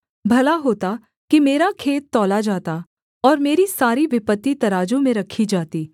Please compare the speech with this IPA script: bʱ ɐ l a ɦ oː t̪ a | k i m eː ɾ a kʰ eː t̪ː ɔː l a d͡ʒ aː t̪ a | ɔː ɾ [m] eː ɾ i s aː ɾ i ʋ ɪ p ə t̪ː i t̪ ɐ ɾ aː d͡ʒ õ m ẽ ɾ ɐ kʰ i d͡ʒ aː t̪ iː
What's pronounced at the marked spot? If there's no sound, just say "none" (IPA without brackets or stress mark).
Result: m